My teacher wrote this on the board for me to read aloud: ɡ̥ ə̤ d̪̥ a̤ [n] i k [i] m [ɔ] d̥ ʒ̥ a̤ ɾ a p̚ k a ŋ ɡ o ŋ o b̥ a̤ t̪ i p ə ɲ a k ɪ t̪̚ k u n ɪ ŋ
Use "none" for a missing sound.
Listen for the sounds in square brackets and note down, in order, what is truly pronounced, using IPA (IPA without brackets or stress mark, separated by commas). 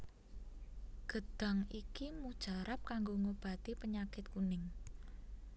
ŋ, i, u